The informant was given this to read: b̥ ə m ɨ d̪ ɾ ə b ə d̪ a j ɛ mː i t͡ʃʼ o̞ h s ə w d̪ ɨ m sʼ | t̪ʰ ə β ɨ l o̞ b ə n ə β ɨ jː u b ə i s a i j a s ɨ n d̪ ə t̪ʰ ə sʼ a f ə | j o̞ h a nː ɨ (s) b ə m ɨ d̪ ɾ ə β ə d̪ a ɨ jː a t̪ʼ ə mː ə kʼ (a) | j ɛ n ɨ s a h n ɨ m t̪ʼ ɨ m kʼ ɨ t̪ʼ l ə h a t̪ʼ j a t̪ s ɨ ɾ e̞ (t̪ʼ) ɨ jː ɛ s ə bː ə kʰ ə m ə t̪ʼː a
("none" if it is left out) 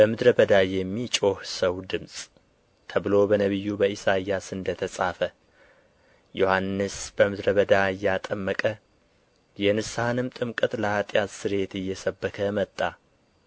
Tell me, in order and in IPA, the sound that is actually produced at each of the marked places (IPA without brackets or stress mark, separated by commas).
s, ə, t̪